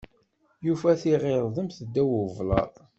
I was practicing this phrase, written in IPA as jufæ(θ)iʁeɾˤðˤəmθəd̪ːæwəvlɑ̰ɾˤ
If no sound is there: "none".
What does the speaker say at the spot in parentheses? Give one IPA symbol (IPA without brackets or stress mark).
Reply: θ